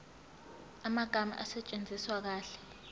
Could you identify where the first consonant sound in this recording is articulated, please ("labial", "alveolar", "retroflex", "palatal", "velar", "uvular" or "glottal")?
labial